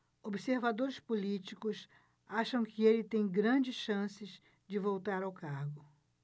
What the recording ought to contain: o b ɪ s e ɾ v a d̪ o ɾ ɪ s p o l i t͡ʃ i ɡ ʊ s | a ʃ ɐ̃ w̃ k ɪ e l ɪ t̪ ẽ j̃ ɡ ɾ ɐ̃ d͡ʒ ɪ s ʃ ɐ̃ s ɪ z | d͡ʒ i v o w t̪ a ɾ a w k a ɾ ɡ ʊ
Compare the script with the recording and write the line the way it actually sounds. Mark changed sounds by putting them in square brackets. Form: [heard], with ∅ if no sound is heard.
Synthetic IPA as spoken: o b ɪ s e ɾ v a d̪ o ɾ ɪ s p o l i t͡ʃ i [k] ʊ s | a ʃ ɐ̃ w̃ k ɪ e l ɪ t̪ ẽ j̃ ɡ ɾ ɐ̃ d͡ʒ ɪ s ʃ ɐ̃ s ɪ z | d͡ʒ [ɪ] v o w t̪ a ɾ a w k a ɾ ɡ ʊ